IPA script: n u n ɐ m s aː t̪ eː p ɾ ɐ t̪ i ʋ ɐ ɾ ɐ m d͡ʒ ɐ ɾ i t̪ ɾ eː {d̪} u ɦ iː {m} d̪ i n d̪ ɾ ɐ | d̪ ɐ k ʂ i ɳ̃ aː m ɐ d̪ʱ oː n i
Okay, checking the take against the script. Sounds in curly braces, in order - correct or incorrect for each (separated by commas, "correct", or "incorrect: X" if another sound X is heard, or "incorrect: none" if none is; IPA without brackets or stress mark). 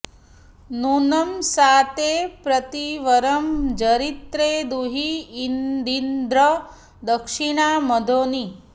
correct, incorrect: n